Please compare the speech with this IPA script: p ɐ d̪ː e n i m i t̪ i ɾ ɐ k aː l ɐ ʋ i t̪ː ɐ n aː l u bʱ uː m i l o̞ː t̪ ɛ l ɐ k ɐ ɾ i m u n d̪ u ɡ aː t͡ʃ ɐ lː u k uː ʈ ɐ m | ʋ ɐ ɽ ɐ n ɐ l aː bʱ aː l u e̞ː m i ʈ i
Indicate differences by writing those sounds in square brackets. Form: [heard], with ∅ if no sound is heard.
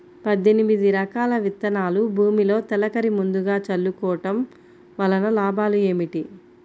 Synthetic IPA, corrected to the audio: p ɐ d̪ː e n i m i [d̪] i ɾ ɐ k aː l ɐ ʋ i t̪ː ɐ n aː l u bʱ uː m i l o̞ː t̪ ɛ l ɐ k ɐ ɾ i m u n d̪ u ɡ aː t͡ʃ ɐ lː u k [ɔː] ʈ ɐ m | ʋ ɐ [l] ɐ n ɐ l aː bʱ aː l u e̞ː m i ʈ i